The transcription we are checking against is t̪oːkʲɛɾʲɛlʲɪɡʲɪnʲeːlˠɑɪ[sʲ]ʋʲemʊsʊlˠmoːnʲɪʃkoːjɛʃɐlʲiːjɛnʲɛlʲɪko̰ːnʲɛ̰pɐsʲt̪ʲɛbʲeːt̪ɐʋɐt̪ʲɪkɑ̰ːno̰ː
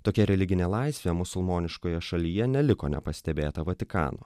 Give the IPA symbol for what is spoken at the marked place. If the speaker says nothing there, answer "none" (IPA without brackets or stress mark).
sʲ